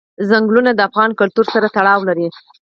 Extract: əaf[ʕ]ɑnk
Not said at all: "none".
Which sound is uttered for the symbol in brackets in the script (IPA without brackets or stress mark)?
ɣ